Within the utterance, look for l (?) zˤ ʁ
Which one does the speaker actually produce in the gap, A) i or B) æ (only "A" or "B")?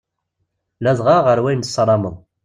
B